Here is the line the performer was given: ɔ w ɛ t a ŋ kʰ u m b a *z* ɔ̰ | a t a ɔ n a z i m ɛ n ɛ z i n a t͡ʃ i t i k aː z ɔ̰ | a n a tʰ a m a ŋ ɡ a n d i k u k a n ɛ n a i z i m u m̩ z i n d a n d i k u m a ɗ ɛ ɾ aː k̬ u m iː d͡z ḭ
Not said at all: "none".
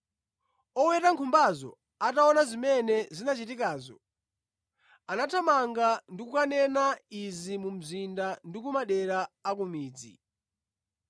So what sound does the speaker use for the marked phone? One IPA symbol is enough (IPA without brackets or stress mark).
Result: z